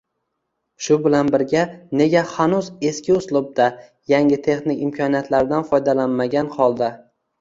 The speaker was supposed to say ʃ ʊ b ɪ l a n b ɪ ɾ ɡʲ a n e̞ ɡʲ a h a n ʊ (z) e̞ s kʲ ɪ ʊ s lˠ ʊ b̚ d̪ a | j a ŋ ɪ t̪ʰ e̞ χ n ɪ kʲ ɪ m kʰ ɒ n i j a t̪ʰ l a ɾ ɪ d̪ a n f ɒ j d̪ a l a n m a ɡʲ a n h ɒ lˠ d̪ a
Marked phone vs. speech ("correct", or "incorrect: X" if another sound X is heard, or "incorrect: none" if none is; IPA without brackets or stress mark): correct